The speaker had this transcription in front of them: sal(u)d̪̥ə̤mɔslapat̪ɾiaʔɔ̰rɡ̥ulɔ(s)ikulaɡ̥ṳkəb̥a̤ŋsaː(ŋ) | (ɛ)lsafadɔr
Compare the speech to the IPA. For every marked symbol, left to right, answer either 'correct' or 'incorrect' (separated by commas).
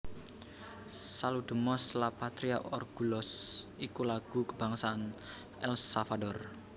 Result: correct, correct, incorrect, correct